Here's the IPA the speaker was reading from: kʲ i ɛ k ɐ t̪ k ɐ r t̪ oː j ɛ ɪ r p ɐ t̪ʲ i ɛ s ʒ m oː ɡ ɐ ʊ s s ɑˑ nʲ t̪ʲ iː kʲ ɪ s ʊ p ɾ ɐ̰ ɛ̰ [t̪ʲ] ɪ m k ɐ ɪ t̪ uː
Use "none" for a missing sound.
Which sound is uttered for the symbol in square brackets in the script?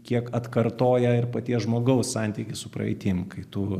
t̪ʲ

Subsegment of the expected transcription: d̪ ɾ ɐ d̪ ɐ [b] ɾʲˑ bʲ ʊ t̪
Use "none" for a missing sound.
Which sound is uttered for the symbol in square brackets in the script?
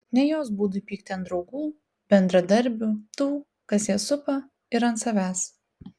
none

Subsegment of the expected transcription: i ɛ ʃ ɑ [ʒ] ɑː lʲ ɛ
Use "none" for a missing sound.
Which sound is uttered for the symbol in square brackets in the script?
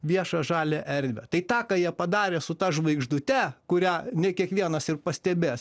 ʒ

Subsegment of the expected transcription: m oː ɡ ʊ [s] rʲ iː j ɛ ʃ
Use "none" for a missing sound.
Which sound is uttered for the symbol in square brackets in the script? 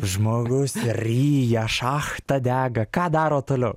s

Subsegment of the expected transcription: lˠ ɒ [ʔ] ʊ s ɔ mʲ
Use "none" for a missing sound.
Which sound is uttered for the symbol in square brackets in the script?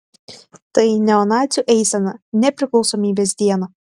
none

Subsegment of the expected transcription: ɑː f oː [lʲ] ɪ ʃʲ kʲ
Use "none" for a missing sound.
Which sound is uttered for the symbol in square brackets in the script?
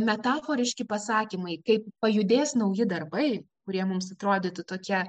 ɾʲ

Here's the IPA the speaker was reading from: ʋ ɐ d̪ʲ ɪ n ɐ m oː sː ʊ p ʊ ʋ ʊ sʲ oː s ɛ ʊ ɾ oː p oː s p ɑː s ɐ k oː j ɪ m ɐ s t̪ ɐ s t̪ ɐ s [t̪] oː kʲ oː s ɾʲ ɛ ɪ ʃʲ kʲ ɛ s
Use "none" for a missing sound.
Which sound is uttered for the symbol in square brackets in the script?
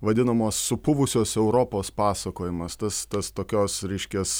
t̪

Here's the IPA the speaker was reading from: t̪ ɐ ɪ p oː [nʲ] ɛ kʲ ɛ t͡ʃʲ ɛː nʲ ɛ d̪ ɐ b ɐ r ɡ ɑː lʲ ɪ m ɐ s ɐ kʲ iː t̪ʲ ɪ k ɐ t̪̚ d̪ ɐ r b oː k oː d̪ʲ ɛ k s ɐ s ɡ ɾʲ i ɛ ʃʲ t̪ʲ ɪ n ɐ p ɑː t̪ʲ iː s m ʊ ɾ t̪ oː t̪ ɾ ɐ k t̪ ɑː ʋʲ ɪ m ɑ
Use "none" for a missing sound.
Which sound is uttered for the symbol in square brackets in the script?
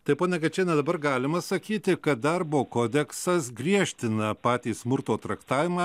nʲ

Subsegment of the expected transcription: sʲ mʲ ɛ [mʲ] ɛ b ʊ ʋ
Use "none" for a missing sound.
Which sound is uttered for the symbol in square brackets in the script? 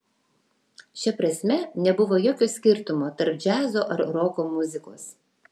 nʲ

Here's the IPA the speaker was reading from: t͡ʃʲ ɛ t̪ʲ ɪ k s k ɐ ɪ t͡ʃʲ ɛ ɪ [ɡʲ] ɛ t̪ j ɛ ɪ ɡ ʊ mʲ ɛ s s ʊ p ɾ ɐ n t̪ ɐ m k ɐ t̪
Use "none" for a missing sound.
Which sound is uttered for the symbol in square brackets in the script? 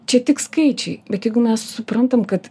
bʲ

